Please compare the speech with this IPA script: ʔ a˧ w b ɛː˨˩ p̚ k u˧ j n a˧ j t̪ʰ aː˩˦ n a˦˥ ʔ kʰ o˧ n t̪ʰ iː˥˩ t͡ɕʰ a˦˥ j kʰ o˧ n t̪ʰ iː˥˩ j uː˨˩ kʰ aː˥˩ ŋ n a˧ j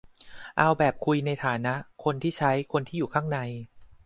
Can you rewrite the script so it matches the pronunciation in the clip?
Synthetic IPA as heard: ʔ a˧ w b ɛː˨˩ p̚ kʰ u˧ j n a˧ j t̪ʰ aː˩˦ n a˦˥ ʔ kʰ o˧ n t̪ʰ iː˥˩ t͡ɕʰ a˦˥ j kʰ o˧ n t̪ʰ iː˥˩ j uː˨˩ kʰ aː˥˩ ŋ n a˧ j